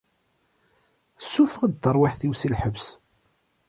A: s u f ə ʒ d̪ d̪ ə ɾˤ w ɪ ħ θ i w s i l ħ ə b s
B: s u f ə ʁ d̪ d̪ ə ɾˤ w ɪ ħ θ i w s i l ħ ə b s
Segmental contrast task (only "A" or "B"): B